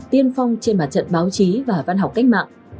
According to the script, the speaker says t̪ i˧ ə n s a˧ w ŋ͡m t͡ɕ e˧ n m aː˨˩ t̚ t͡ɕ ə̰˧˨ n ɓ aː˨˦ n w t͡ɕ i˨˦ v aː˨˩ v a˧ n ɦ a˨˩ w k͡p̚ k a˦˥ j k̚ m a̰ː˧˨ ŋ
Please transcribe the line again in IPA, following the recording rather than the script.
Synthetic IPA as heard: t̪ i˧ ə n f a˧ w ŋ͡m t͡ɕ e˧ n m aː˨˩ t̚ t͡ɕ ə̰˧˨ n ɓ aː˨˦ w t͡ɕ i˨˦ v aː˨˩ v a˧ n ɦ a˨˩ w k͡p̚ k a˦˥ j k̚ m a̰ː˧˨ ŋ